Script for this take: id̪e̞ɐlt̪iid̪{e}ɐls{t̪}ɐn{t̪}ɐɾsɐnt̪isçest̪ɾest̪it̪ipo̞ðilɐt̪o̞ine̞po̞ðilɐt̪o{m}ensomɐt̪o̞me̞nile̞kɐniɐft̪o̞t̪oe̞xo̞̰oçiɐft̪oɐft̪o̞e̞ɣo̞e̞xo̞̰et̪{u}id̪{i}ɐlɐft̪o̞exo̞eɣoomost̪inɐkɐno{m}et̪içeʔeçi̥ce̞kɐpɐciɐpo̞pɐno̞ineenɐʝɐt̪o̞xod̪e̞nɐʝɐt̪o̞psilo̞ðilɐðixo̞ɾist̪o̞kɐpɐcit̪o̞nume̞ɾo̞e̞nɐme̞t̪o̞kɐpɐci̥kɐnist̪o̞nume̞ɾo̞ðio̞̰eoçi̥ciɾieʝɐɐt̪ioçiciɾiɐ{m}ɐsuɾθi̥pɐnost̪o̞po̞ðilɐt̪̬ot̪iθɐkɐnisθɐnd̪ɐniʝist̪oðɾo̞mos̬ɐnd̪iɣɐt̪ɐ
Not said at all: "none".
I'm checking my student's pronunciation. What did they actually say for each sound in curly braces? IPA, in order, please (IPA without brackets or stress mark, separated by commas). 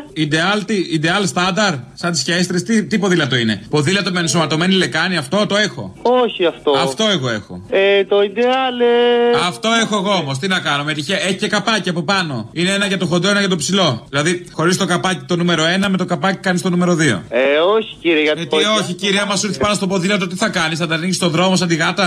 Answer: e, t̪, d̪, m, o, e, m, m